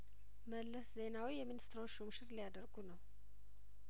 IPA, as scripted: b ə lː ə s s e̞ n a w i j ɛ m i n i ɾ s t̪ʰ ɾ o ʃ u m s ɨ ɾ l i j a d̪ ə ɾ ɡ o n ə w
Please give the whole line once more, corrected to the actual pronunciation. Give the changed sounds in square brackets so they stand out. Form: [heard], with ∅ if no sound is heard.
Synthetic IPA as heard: [m] ə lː ə s [z] e̞ n a w i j ɛ m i n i [∅] s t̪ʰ ɾ o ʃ u m [ʃ] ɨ ɾ l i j a d̪ ə ɾ ɡ [u] n ə w